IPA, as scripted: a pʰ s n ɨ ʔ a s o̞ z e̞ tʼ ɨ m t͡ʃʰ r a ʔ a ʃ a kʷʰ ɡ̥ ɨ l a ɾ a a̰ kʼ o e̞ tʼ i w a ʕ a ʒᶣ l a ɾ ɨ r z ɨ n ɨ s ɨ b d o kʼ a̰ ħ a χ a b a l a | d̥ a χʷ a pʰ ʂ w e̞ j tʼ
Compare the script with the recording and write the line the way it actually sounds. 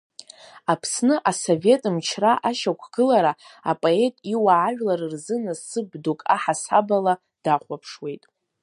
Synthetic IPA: a pʰ s n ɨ ʔ a s o̞ v e̞ tʼ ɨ m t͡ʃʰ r a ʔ a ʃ a kʷʰ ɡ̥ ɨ l a ɾ a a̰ pʼ o e̞ tʼ i w a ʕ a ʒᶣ l a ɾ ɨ r z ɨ n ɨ s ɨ b d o kʼ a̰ ħ a s a b a l a | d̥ a χʷ a pʰ ʂ w e̞ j tʼ